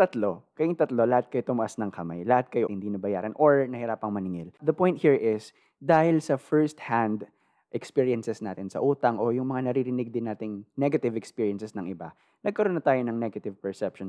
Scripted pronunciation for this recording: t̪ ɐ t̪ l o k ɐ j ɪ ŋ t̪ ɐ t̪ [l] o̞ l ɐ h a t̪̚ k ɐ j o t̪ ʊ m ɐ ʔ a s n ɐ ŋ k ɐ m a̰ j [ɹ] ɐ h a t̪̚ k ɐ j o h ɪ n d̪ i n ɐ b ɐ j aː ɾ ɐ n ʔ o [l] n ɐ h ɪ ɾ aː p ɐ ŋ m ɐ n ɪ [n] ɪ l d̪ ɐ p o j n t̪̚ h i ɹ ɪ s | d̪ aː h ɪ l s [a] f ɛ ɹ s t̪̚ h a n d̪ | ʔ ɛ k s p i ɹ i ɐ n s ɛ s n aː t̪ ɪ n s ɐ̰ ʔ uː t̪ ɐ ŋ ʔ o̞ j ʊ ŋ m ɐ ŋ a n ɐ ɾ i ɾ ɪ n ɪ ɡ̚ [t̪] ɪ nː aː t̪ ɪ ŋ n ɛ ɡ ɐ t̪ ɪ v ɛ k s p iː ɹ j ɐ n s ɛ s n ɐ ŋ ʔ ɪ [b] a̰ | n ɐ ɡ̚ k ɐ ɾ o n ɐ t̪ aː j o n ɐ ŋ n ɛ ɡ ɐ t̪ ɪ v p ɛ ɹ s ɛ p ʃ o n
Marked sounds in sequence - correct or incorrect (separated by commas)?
correct, incorrect, incorrect, incorrect, incorrect, incorrect, correct